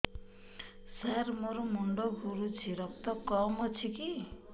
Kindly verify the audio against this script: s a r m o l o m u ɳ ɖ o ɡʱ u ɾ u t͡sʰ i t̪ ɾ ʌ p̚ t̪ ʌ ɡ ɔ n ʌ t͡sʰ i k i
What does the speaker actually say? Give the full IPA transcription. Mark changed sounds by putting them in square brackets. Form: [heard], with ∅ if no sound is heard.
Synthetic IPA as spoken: s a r m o [ɾ] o m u ɳ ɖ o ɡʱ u ɾ u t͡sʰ i [∅] ɾ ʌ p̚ t̪ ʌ [k] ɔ [m] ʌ t͡sʰ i k i

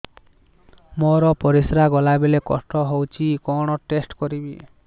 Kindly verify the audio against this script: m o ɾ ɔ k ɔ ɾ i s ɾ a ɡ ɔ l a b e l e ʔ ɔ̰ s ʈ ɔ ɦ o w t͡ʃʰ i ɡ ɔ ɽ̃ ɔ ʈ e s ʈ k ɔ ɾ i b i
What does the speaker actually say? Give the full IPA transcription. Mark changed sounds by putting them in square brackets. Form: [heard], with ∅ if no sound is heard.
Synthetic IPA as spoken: m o ɾ ɔ [p] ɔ ɾ i s ɾ a ɡ ɔ l a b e l e [k] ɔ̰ s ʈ ɔ ɦ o w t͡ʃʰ i [k] ɔ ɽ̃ ɔ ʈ e s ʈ k ɔ ɾ i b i

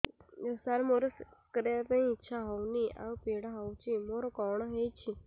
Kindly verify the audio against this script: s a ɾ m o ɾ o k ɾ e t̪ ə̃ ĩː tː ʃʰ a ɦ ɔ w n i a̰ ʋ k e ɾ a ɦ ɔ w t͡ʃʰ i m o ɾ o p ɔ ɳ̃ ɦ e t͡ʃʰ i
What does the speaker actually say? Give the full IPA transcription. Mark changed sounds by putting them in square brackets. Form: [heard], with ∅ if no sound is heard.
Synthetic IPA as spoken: s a ɾ m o ɾ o k ɾ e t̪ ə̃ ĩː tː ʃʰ a ɦ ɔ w n i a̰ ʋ [p] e [ɽ] a ɦ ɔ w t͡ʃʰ i m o ɾ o [k] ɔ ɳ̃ ɦ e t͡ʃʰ i

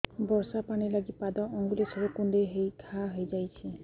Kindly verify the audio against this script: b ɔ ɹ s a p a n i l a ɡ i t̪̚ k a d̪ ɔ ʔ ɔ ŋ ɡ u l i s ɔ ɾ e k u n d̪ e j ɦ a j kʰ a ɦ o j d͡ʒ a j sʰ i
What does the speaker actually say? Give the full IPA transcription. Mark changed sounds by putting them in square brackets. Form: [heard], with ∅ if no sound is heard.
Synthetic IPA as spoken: b ɔ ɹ s a p a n i l a ɡ i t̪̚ [p] a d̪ ɔ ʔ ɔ ŋ ɡ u l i s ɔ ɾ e k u n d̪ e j ɦ [e] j kʰ a ɦ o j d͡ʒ a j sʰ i

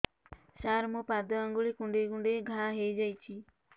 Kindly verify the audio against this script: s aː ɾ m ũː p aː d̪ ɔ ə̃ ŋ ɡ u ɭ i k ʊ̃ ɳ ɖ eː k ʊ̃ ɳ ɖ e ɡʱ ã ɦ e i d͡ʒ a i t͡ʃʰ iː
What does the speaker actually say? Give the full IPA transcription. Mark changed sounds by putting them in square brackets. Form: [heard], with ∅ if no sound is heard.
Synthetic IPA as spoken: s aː ɾ m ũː p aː d̪ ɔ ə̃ ŋ ɡ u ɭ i k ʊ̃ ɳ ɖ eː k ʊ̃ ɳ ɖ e ɡʱ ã ɦ e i d͡ʒ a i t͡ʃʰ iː

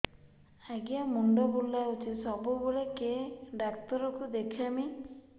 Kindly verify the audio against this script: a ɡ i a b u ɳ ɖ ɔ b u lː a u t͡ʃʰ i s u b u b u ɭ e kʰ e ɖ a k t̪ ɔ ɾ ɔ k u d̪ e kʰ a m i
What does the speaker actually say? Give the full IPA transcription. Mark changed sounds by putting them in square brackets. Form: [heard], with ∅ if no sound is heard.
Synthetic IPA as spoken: a ɡ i a [m] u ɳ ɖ ɔ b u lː a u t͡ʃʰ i s [ɔ] b u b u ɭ e [k] e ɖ a k t̪ ɔ ɾ ɔ k u d̪ e kʰ a m i

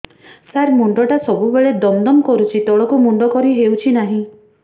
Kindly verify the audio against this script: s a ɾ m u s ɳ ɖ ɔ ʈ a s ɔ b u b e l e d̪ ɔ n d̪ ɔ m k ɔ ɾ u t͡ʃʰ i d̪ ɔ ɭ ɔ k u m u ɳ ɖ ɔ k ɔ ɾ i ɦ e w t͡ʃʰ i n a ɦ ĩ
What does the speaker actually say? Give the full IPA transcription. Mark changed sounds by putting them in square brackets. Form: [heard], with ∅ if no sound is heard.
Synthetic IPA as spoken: s a ɾ m u [∅] ɳ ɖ ɔ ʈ a s ɔ b u b e [ɭ] e d̪ ɔ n d̪ ɔ m k ɔ ɾ u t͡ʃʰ i [t̪] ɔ ɭ ɔ k u m u ɳ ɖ ɔ k ɔ ɾ i ɦ e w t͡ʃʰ i n a ɦ ĩ

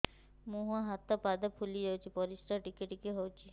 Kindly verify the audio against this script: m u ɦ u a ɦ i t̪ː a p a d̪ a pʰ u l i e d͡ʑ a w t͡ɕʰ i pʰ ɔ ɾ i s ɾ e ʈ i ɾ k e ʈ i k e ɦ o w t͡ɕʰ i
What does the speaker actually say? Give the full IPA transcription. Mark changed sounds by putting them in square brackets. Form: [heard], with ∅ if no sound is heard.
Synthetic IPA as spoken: m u ɦ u a ɦ [a] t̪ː a p a d̪ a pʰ u l i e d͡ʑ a w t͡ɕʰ i [p] ɔ ɾ i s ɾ [a] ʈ i [∅] k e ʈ i k e ɦ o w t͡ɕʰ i

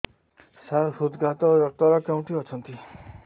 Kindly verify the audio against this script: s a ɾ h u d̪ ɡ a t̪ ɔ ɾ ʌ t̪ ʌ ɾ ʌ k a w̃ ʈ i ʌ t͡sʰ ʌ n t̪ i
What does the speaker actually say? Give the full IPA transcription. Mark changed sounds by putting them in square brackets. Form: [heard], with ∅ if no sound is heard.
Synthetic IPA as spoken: s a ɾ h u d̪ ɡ a t̪ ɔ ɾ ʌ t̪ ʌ ɾ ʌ k a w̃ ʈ i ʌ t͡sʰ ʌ n t̪ i

